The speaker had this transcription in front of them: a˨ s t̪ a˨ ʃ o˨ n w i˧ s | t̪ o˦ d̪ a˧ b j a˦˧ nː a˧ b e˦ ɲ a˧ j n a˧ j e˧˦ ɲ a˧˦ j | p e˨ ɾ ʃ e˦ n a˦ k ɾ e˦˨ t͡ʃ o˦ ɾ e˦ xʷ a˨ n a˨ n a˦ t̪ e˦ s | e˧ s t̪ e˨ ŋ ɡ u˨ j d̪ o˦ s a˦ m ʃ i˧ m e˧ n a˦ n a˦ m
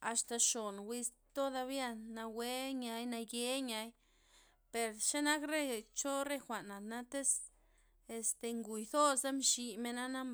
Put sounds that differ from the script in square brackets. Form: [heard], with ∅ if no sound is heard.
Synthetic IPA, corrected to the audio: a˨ s t̪ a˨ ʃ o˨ n w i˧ s | t̪ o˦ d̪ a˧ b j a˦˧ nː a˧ [w] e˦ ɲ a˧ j n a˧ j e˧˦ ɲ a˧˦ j | p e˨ ɾ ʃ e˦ n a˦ k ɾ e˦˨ t͡ʃ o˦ ɾ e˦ xʷ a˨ n a˨ n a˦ t̪ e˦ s | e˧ s t̪ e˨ ŋ ɡ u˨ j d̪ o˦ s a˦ m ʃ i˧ m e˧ n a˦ n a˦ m